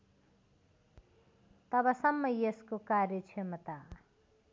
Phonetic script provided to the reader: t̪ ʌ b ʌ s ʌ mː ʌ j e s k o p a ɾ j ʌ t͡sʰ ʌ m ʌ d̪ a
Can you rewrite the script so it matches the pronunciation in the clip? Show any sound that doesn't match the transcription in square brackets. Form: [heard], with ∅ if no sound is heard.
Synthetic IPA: t̪ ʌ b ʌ s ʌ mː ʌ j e s k o [k] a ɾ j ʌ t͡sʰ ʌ m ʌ [t̪] a